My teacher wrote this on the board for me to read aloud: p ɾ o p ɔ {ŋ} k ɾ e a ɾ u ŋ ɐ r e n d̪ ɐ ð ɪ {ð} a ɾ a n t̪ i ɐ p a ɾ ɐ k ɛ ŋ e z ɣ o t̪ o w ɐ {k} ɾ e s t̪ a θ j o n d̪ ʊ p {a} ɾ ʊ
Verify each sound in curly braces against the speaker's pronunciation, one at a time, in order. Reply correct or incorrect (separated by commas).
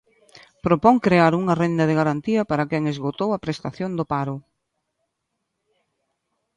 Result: correct, incorrect, incorrect, correct